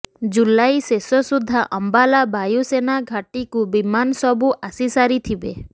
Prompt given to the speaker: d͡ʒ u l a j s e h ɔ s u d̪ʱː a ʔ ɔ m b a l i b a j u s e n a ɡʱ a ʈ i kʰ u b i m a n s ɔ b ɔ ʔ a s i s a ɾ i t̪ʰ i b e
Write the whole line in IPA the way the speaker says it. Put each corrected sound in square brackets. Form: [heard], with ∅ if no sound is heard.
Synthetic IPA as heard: d͡ʒ u l a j s e [s] ɔ s u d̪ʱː a ʔ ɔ m b a l [a] b a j u s e n a ɡʱ a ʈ i [k] u b i m a n s ɔ b [u] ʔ a s i s a ɾ i t̪ʰ i b e

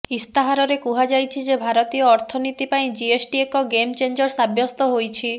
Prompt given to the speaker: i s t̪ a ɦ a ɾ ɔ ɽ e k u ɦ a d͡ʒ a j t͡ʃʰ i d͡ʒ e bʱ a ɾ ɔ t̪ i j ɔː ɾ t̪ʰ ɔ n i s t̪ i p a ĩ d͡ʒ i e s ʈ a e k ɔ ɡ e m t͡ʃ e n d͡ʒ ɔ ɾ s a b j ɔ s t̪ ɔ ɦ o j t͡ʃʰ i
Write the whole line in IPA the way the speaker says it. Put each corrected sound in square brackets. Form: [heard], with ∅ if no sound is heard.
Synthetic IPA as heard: i s t̪ a ɦ a ɾ ɔ [ɾ] e k u ɦ a d͡ʒ a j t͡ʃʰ i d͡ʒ e bʱ a ɾ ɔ t̪ i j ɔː ɾ t̪ʰ ɔ n i [∅] t̪ i p a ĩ d͡ʒ i e s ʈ [i] e k ɔ ɡ e m t͡ʃ e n d͡ʒ ɔ ɾ s a b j ɔ s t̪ ɔ ɦ o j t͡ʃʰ i

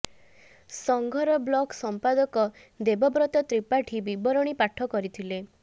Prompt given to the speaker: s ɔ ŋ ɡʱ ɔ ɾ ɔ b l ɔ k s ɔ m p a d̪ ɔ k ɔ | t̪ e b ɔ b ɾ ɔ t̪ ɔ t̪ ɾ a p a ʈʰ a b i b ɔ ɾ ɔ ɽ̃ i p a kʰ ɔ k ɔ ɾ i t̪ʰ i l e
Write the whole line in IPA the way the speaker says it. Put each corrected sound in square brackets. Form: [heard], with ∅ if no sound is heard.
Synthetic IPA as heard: s ɔ ŋ ɡʱ ɔ ɾ ɔ b l ɔ k s ɔ m p a d̪ ɔ k ɔ | [d̪] e b ɔ b ɾ ɔ t̪ ɔ t̪ ɾ [i] p a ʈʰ [i] b i b ɔ ɾ ɔ ɽ̃ i p a [ʈʰ] ɔ k ɔ ɾ i t̪ʰ i l e

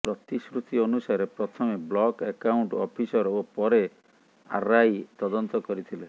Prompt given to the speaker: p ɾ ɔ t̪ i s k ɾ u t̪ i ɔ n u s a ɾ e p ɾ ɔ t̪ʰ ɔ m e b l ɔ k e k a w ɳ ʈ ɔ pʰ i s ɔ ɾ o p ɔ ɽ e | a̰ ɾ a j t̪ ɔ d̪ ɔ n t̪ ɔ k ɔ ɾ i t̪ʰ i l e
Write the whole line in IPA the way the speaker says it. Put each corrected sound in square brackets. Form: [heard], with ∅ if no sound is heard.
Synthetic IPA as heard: p ɾ ɔ t̪ i s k ɾ u t̪ i ɔ n u s a ɾ e p ɾ ɔ t̪ʰ ɔ m e b l ɔ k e k a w ɳ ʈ ɔ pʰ i s ɔ ɾ o p ɔ [ɾ] e | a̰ ɾ a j t̪ ɔ d̪ ɔ n t̪ ɔ k ɔ ɾ i t̪ʰ i l e

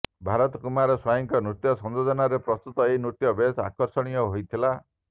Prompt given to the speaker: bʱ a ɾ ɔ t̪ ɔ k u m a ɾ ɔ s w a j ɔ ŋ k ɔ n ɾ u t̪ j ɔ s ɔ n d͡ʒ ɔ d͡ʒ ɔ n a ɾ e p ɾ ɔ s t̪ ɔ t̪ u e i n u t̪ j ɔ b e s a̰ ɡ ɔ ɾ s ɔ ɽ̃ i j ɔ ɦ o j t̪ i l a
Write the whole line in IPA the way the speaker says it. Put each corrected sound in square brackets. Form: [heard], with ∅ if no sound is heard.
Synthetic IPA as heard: bʱ a ɾ ɔ t̪ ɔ k u m a ɾ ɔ s w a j ɔ ŋ k ɔ n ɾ u t̪ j ɔ s ɔ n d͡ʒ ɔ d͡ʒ ɔ n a ɾ e p ɾ ɔ s t̪ [u] t̪ [ɔ] e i n u t̪ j ɔ b e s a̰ [k] ɔ ɾ s ɔ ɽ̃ i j ɔ ɦ o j [t̪ʰ] i l a

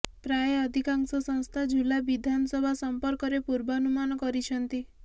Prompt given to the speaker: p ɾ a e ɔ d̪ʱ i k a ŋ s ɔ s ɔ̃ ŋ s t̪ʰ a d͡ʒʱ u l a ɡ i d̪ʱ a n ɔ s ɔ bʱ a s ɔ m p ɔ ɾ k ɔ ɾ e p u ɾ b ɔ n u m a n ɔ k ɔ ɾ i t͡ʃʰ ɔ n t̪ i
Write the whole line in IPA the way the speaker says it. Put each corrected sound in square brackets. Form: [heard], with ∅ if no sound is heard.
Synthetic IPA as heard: p ɾ a e ɔ d̪ʱ i k a ŋ s ɔ s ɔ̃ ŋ s t̪ʰ a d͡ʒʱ u l a [b] i d̪ʱ a n ɔ s ɔ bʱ a s ɔ m p ɔ ɾ k ɔ ɾ e p u ɾ b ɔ n u m a n ɔ k ɔ ɾ i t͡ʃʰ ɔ n t̪ i

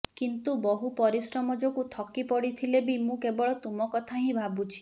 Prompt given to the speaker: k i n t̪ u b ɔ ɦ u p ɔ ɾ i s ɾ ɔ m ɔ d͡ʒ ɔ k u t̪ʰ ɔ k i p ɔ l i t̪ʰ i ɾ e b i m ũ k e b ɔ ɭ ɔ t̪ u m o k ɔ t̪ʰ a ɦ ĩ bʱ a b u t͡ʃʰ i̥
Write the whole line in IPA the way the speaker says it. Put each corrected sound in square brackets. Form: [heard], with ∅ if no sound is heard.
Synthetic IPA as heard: k i n t̪ u b ɔ ɦ u p ɔ ɾ i s ɾ ɔ m ɔ d͡ʒ ɔ k u t̪ʰ ɔ k i p ɔ [ɽ] i t̪ʰ i [l] e b i m ũ k e b ɔ ɭ ɔ t̪ u m [ɔ] k ɔ t̪ʰ a ɦ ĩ bʱ a b u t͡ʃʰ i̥

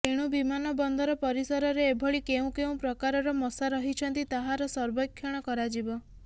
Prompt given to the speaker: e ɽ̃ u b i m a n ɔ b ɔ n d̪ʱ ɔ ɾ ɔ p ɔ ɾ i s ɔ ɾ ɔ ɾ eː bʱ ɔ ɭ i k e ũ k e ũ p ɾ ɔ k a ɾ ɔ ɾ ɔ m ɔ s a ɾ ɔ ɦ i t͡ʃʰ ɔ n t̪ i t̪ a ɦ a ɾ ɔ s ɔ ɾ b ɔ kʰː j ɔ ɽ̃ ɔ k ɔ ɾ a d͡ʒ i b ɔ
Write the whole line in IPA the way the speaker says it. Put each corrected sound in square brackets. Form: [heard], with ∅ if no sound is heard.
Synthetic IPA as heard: e ɽ̃ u b i m a n ɔ b ɔ n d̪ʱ ɔ ɾ ɔ p ɔ ɾ i s ɔ ɾ ɔ ɾ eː bʱ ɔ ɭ i k e ũ k e ũ p ɾ ɔ k a ɾ ɔ ɾ ɔ m ɔ s a ɾ ɔ ɦ i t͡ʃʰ ɔ n t̪ i t̪ a ɦ a ɾ ɔ s ɔ ɾ b ɔ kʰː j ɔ ɽ̃ ɔ k ɔ ɾ a d͡ʒ i b ɔ

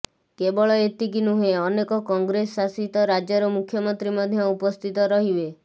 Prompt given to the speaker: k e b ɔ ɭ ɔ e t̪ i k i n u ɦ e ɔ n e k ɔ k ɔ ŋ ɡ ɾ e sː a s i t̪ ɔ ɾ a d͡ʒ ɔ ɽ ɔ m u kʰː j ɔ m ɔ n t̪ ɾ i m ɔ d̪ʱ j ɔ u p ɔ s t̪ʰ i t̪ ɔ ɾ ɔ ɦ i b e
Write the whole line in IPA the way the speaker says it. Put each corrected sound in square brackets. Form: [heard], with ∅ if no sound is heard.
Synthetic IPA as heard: k e b ɔ ɭ ɔ e t̪ i k i n u ɦ e ɔ n e k ɔ k ɔ ŋ ɡ ɾ e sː a s i t̪ ɔ ɾ a d͡ʒ ɔ [ɾ] ɔ m u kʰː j ɔ m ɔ n t̪ ɾ i m ɔ d̪ʱ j ɔ u p ɔ s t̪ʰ i t̪ ɔ ɾ ɔ ɦ i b e

